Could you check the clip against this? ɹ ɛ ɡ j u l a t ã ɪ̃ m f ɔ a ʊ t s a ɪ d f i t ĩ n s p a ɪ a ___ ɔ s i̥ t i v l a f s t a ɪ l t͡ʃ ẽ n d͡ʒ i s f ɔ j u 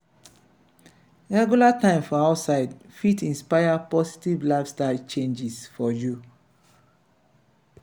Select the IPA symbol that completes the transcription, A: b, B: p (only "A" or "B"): B